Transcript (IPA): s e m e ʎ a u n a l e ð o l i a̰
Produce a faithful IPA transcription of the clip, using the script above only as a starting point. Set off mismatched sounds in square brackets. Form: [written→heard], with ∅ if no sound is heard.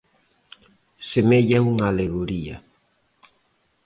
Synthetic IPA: s e m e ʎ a u [n→ŋ] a l e [ð→ɣ] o [l→ɾ] i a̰